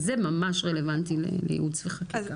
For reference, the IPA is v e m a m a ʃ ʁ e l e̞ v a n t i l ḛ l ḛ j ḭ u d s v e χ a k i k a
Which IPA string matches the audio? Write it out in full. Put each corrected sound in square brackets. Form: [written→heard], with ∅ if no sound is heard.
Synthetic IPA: [v→z] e m a m a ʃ ʁ e l e̞ v a n t i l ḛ l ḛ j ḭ u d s v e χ a k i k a